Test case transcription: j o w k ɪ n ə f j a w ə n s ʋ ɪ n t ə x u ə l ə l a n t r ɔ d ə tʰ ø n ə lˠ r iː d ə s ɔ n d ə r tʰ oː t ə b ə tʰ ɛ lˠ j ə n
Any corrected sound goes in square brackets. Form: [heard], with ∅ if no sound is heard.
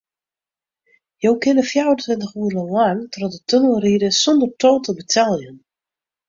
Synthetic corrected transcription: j o w k ɪ n ə f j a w ə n [t] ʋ ɪ n t ə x u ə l ə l a n t r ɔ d ə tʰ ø n ə lˠ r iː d ə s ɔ n d ə r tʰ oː t ə b ə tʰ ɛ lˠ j ə n